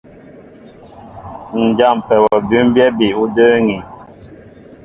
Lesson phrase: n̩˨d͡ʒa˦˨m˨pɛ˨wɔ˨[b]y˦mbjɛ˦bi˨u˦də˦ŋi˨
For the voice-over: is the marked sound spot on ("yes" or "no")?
yes